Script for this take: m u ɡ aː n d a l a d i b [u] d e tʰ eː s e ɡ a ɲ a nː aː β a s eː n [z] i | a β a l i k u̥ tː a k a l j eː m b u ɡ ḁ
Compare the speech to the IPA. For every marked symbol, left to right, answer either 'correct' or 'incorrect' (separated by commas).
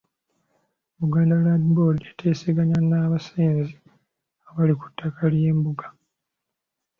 incorrect, correct